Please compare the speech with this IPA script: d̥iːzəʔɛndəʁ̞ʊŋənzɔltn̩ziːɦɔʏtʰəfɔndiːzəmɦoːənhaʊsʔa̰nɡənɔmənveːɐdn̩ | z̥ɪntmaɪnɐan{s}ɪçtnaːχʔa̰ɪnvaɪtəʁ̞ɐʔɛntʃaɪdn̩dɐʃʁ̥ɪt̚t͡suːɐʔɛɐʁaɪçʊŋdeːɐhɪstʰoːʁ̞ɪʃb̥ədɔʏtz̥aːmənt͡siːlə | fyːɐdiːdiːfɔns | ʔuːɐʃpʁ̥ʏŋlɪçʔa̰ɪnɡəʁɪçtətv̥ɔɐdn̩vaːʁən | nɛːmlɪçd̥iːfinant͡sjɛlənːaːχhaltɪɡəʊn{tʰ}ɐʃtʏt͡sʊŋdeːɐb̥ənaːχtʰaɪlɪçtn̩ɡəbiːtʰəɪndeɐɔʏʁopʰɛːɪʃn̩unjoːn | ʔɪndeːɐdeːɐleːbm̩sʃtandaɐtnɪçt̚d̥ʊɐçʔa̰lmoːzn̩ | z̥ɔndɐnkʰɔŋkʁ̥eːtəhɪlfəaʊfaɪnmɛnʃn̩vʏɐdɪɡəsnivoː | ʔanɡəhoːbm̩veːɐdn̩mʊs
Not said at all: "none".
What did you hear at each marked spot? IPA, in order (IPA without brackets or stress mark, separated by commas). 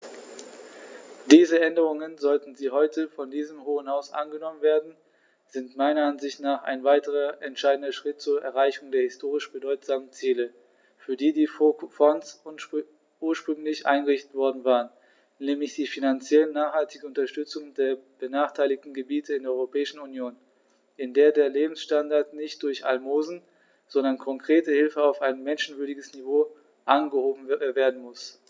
z, t